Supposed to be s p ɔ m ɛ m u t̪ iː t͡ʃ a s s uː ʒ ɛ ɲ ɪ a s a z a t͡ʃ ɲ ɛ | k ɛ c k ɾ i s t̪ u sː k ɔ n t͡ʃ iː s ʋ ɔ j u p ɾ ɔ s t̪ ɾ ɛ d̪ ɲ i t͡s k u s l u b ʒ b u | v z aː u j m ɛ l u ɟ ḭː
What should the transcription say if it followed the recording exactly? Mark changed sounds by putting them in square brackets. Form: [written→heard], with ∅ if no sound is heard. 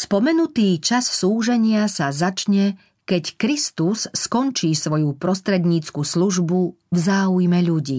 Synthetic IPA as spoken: s p ɔ m ɛ [m→n] u t̪ iː t͡ʃ a s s uː ʒ ɛ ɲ ɪ a s a z a t͡ʃ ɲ ɛ | k ɛ c k ɾ i s t̪ u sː k ɔ n t͡ʃ iː s ʋ ɔ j u p ɾ ɔ s t̪ ɾ ɛ d̪ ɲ [i→iː] t͡s k u s l u [b→∅] ʒ b u | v z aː u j m ɛ [l→ʎ] u ɟ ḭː